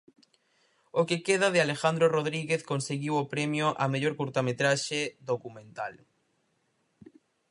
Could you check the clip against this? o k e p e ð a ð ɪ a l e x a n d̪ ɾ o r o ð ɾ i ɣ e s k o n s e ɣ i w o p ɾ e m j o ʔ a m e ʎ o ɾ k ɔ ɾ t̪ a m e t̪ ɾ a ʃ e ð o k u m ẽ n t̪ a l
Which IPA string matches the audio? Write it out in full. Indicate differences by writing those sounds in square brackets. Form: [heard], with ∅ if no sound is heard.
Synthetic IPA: o k e [k] e ð a ð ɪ a l e x a n d̪ ɾ o r o ð ɾ i ɣ e [θ] k o n s e ɣ i w o p ɾ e m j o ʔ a m e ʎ o ɾ k [u] ɾ t̪ a m e t̪ ɾ a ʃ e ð o k u m ẽ n t̪ a l